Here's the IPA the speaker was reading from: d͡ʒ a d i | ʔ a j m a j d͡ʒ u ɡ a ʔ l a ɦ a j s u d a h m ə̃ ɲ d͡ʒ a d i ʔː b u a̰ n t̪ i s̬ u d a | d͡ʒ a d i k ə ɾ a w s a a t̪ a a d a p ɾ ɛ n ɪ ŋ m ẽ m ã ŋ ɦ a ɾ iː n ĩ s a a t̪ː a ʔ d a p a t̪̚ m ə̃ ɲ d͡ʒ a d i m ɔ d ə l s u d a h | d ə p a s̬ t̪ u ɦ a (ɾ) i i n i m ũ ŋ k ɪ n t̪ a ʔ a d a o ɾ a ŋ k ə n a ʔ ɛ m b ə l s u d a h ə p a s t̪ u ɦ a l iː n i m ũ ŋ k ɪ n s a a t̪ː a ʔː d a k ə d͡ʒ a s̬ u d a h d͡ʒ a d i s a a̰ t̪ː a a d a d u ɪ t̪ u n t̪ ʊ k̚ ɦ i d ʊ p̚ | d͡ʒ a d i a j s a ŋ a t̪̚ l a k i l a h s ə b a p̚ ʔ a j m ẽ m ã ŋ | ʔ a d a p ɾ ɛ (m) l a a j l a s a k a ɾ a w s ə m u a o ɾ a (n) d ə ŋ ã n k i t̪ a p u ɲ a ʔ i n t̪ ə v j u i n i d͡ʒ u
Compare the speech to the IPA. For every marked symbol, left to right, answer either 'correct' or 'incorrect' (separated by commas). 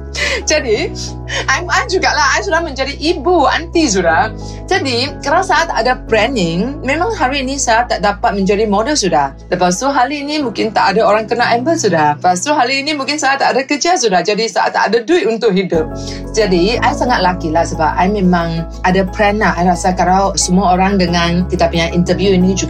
incorrect, incorrect, incorrect